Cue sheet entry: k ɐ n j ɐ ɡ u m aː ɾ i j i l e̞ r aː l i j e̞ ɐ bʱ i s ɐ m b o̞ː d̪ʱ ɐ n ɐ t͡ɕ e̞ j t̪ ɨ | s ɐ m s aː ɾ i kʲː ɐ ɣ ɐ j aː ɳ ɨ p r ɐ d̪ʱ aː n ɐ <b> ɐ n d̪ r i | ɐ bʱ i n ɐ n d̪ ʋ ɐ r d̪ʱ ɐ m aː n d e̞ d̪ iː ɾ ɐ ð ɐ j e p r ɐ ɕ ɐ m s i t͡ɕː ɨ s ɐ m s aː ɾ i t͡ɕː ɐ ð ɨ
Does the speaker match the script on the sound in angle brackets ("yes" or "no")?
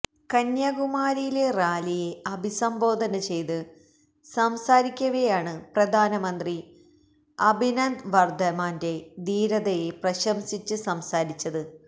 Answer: no